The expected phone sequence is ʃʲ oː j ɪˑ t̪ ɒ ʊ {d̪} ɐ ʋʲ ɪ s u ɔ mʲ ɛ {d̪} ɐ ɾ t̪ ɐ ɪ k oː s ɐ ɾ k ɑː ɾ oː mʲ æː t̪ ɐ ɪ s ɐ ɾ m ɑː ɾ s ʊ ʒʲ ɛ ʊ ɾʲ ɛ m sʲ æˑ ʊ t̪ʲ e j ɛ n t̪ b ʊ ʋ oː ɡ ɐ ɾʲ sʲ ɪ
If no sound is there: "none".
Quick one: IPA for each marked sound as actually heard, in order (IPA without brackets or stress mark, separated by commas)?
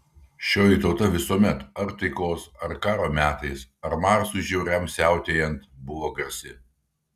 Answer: t̪, t̪